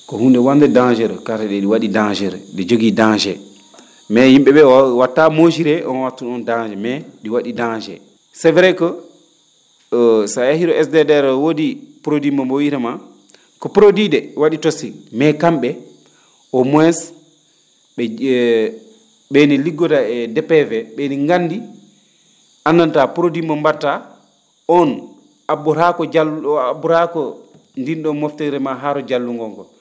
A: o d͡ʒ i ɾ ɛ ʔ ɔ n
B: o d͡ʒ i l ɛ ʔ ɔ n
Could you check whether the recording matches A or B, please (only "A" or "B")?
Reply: A